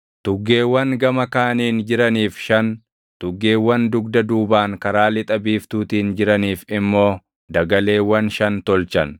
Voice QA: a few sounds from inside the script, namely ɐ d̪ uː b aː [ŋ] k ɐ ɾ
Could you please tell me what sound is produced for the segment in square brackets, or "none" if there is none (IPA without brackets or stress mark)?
ŋ